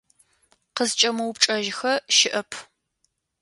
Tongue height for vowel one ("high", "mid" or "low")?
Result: mid